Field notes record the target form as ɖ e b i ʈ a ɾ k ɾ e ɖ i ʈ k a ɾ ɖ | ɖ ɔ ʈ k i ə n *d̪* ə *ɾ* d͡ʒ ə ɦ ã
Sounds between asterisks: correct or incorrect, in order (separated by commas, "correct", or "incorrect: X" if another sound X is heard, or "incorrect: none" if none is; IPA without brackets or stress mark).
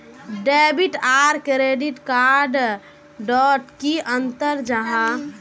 incorrect: t̪, correct